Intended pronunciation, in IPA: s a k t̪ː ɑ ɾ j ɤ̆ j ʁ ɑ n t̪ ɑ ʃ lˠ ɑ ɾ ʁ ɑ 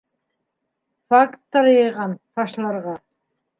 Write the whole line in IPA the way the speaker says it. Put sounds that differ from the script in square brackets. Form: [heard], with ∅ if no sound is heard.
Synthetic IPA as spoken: [f] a k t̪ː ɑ ɾ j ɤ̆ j ʁ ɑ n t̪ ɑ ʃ lˠ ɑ ɾ ʁ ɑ